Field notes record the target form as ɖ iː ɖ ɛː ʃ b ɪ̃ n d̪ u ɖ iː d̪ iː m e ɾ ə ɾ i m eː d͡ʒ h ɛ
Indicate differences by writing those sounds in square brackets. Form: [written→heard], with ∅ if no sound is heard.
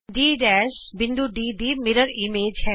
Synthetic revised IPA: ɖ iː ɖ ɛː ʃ b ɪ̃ n d̪ u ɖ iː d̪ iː m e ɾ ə ɾ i m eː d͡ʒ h ɛ